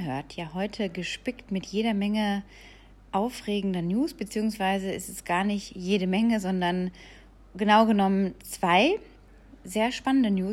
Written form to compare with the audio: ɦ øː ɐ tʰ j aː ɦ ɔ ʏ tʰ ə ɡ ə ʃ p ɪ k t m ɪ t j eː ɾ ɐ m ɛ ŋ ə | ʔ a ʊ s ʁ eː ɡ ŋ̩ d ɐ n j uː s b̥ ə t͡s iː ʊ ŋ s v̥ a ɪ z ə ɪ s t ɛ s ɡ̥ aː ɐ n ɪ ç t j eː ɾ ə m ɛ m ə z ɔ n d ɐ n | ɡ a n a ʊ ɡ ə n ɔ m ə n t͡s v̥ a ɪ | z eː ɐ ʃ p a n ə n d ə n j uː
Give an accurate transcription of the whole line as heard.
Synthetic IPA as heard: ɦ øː ɐ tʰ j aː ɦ ɔ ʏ tʰ ə ɡ ə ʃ p ɪ k t m ɪ t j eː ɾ ɐ m ɛ ŋ ə | ʔ a ʊ f ʁ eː ɡ ŋ̩ d ɐ n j uː s b̥ ə t͡s iː ʊ ŋ s v̥ a ɪ z ə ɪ s t ɛ s ɡ̥ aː ɐ n ɪ ç t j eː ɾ ə m ɛ ŋ ə z ɔ n d ɐ n | ɡ ə n a ʊ ɡ ə n ɔ m ə n t͡s v̥ a ɪ | z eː ɐ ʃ p a n ə n d ə n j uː